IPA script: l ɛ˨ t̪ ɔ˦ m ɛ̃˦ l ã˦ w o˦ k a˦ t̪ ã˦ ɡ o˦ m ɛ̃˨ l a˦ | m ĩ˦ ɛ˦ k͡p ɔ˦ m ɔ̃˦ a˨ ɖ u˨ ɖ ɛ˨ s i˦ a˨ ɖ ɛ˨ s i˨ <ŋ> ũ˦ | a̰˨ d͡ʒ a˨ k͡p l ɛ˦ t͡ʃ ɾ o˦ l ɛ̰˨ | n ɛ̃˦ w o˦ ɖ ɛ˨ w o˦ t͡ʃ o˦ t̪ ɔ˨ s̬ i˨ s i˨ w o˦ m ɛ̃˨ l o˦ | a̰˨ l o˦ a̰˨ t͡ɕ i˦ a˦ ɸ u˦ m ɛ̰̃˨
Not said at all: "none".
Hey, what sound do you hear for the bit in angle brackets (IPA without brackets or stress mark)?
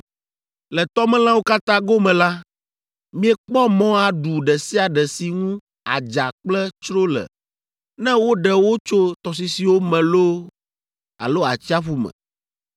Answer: ŋ